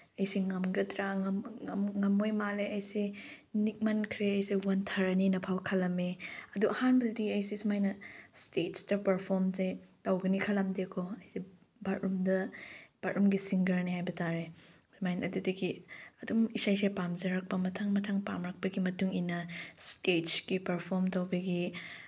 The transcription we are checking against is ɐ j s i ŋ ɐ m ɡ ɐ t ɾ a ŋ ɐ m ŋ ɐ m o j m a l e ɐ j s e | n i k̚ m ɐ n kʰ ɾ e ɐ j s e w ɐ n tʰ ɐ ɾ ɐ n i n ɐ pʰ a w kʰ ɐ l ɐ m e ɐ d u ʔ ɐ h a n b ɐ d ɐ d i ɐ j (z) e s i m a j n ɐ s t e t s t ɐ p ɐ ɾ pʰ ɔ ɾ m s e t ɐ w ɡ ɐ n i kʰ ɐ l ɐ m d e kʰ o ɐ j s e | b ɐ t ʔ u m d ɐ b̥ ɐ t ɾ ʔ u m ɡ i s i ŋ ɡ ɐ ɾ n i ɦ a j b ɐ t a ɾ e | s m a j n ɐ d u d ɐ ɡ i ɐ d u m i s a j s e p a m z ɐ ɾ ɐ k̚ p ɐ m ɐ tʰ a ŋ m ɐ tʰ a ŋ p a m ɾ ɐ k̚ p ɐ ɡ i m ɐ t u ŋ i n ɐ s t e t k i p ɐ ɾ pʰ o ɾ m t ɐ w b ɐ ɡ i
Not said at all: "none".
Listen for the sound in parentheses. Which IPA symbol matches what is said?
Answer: s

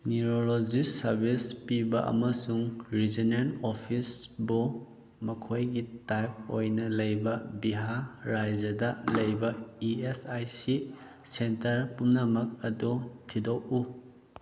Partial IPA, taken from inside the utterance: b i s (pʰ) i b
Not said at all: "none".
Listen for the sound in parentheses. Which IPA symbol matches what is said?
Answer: p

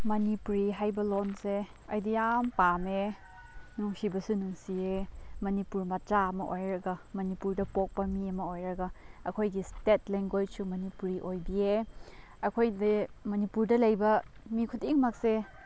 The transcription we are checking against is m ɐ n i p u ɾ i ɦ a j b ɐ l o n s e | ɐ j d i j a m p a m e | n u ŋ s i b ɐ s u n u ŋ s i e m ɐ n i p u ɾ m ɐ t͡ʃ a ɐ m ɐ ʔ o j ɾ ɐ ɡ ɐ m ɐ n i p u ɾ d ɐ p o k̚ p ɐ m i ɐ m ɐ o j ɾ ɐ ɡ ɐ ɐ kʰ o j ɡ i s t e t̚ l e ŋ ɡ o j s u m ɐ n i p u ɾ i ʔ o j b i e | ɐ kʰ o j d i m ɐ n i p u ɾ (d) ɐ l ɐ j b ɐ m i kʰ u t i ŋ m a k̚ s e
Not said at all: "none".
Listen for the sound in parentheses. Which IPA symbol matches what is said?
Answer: d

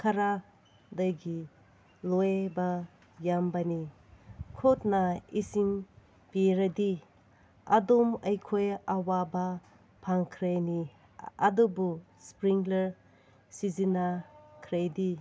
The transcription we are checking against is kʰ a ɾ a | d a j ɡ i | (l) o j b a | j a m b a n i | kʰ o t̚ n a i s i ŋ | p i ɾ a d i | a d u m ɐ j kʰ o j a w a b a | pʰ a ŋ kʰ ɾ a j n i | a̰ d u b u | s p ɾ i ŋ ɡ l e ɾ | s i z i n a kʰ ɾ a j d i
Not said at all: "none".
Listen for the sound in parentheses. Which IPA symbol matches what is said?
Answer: l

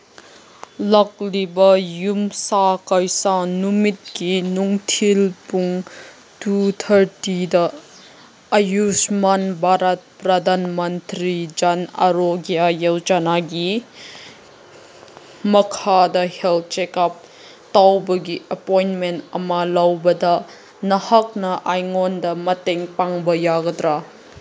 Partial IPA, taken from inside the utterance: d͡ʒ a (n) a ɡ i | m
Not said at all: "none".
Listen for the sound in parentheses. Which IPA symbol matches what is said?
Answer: n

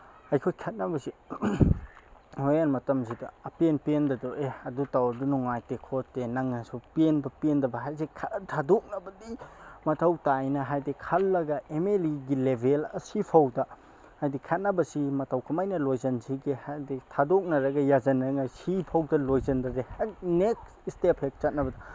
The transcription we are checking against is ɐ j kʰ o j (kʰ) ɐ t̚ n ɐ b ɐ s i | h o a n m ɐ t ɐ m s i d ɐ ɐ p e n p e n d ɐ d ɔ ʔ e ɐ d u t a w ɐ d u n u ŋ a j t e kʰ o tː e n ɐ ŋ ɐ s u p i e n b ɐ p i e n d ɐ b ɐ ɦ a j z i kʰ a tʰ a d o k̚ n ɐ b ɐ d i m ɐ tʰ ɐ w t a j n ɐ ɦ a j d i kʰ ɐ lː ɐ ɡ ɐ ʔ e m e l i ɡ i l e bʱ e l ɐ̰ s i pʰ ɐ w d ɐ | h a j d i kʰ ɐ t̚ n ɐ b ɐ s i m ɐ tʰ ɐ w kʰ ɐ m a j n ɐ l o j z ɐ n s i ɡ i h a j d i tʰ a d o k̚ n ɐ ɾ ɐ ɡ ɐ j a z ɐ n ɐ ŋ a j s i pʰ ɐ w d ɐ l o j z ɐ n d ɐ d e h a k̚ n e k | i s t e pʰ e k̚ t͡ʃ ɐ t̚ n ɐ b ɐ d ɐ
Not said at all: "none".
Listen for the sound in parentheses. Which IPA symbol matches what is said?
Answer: kʰ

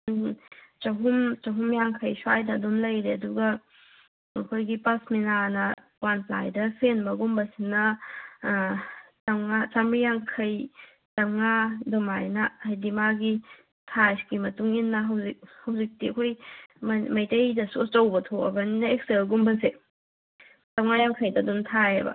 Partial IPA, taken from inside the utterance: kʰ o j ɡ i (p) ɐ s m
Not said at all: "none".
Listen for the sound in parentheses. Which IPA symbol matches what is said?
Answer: p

